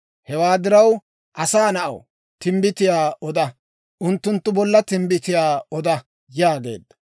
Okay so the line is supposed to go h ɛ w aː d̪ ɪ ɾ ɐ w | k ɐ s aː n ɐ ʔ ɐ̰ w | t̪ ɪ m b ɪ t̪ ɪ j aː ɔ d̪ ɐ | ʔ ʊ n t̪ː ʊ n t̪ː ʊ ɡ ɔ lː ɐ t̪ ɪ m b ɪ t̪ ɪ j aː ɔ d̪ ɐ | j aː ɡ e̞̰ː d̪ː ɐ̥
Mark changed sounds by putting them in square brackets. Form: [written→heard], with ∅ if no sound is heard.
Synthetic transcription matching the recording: h ɛ w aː d̪ ɪ ɾ ɐ w | [k→ʔ] ɐ s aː n ɐ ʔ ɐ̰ w | t̪ ɪ m b ɪ t̪ ɪ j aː ɔ d̪ ɐ | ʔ ʊ n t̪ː ʊ n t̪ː ʊ [ɡ→b] ɔ lː ɐ t̪ ɪ m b ɪ t̪ ɪ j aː ɔ d̪ ɐ | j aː ɡ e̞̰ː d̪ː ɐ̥